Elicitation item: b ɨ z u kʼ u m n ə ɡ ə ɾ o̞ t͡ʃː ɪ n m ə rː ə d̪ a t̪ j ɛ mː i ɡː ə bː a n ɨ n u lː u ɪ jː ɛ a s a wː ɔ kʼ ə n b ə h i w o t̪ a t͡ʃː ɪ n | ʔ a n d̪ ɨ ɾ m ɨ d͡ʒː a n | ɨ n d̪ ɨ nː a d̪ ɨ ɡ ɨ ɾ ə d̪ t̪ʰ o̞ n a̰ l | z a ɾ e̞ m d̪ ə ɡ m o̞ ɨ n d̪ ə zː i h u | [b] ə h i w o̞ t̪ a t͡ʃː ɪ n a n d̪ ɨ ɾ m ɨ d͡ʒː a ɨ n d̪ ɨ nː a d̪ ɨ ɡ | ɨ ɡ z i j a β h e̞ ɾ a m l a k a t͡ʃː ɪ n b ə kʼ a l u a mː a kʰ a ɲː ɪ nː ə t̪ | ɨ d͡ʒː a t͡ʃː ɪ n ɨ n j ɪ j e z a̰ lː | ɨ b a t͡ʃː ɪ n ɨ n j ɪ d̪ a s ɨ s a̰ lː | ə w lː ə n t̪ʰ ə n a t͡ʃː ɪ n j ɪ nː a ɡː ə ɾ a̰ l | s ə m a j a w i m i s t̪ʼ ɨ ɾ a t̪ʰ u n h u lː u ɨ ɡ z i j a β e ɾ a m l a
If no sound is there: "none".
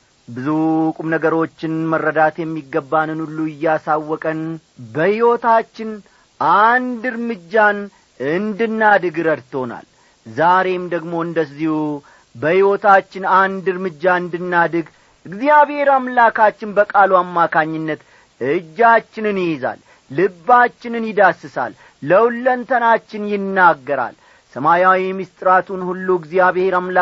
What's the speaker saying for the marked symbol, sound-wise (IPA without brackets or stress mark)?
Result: b